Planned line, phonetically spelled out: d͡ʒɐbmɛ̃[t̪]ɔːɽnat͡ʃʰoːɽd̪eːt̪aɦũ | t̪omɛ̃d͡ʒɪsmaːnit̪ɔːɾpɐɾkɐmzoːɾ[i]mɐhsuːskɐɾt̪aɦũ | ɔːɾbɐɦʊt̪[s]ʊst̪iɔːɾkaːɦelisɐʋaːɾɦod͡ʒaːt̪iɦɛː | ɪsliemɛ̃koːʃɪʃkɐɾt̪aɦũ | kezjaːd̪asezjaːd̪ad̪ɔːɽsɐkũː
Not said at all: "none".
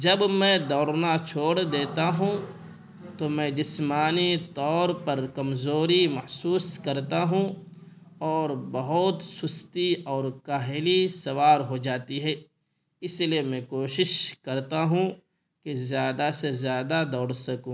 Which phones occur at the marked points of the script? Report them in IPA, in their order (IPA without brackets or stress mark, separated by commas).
d̪, i, s